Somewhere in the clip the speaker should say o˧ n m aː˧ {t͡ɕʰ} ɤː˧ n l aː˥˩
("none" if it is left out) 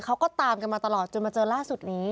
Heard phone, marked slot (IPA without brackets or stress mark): t͡ɕ